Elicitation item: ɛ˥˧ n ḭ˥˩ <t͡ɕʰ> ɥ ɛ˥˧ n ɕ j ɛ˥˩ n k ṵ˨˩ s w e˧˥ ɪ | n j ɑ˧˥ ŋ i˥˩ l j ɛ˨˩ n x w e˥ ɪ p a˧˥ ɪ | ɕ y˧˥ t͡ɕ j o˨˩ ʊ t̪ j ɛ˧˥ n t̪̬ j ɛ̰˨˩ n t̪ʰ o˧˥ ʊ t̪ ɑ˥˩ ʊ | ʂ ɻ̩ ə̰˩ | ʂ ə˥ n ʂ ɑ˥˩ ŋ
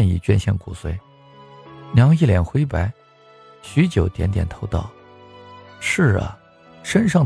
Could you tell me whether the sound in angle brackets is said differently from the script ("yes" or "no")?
yes